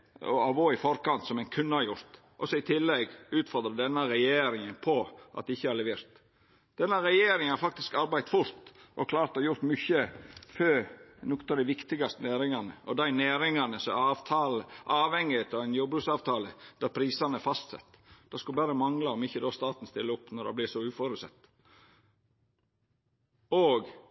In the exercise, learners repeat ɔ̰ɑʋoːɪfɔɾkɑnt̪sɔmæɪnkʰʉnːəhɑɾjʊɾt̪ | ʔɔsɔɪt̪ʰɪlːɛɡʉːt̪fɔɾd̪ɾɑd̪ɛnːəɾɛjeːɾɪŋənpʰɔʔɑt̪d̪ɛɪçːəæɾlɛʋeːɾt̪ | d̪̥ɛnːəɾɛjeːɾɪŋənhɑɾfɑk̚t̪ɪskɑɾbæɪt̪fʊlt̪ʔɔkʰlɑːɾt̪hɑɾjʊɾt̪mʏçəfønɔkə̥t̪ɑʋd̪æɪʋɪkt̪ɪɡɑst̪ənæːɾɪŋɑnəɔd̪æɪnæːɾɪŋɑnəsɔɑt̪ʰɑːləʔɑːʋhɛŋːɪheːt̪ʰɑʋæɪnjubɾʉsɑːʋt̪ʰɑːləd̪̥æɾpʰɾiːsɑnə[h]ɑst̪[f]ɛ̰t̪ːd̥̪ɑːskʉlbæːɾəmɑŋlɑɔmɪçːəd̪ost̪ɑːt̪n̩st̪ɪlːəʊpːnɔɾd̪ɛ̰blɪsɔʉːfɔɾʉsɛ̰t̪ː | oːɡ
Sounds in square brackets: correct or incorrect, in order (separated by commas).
incorrect, incorrect